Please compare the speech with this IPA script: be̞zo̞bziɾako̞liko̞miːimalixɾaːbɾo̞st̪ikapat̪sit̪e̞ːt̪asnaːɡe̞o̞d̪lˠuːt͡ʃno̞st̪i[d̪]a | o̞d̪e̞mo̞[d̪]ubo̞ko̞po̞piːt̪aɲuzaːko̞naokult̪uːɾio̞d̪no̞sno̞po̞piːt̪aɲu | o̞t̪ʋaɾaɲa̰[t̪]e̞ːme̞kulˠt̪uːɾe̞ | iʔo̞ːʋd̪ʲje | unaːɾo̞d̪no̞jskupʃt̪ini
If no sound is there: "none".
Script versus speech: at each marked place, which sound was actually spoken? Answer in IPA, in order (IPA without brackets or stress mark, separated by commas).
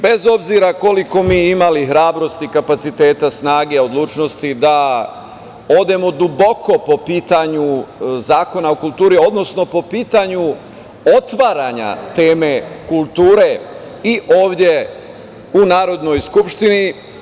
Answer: d̪, d̪, t̪